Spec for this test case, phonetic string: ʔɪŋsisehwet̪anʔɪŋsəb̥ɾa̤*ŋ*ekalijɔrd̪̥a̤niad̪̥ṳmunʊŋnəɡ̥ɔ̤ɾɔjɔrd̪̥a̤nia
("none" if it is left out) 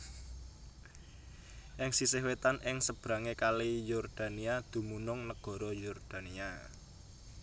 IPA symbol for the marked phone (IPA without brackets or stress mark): ŋ